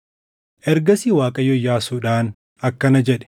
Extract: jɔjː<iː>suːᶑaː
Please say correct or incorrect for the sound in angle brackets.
incorrect